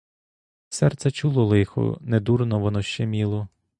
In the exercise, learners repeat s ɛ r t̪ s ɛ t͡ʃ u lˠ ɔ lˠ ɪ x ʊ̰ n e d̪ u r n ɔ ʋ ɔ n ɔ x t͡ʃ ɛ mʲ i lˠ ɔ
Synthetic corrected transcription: s ɛ r t̪ s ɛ t͡ʃ u lˠ ɔ lˠ ɪ x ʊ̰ n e d̪ u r n ɔ ʋ ɔ n ɔ ʃ t͡ʃ ɛ mʲ i lˠ ɔ